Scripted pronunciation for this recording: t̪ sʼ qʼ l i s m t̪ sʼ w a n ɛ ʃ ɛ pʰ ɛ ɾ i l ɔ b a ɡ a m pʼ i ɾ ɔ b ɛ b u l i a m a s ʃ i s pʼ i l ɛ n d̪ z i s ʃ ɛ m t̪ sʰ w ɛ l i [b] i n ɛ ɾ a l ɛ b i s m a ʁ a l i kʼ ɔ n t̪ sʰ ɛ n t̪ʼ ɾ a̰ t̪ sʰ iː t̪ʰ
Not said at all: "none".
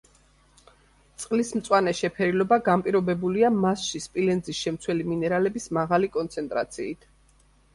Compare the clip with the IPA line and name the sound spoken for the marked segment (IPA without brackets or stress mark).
m